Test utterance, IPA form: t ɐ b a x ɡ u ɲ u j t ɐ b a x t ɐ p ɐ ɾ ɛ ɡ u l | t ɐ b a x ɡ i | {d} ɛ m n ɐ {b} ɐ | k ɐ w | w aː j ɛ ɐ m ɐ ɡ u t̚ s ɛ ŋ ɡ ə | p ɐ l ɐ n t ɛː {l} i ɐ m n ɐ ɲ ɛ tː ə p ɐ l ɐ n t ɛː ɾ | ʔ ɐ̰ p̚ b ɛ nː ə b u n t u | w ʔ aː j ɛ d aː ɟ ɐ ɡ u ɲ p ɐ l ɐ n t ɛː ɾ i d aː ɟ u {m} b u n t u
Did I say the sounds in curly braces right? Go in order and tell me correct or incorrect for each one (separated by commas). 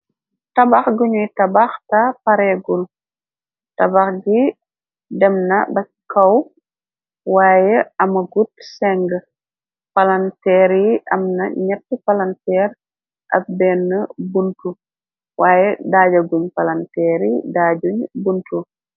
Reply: correct, correct, incorrect, incorrect